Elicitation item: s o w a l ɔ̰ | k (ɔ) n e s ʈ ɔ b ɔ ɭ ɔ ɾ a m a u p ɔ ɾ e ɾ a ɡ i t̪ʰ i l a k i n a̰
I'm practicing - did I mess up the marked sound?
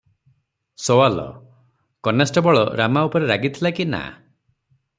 no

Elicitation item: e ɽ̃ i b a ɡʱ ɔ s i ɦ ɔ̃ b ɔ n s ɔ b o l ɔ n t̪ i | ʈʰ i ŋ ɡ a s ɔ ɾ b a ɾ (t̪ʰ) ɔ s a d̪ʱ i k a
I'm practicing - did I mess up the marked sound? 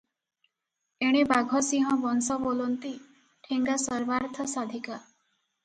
no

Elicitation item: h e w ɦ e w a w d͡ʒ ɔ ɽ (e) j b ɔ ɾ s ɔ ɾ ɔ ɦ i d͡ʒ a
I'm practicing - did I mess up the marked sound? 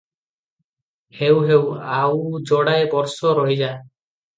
yes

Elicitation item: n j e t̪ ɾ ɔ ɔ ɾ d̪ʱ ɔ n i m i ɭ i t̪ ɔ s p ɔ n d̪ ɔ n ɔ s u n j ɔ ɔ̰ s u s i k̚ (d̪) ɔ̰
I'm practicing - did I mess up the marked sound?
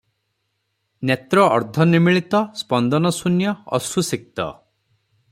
yes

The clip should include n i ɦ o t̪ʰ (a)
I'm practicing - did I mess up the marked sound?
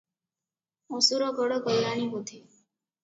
yes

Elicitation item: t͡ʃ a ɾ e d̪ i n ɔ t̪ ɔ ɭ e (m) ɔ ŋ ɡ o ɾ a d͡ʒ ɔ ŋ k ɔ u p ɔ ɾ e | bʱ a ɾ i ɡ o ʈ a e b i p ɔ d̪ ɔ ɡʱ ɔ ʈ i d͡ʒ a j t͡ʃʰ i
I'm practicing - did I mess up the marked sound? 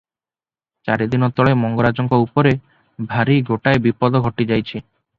no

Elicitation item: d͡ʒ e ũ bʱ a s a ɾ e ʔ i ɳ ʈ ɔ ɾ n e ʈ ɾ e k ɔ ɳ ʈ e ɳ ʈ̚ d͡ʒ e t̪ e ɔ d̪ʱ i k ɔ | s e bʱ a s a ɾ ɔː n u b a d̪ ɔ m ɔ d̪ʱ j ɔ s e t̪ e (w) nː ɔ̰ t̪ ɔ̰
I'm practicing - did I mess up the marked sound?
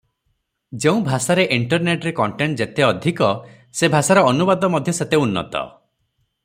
yes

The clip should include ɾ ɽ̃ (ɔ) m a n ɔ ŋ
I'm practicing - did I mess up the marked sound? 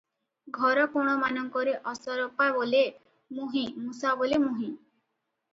no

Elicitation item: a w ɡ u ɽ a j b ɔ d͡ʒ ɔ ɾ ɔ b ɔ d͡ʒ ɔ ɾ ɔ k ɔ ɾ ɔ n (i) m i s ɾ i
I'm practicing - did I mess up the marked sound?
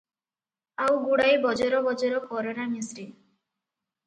yes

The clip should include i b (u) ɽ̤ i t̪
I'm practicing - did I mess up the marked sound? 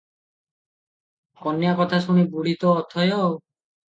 no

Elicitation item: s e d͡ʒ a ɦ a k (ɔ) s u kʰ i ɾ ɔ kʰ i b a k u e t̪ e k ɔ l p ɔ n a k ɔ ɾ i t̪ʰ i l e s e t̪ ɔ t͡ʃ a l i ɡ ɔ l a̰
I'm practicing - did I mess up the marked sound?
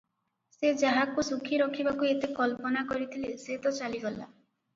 yes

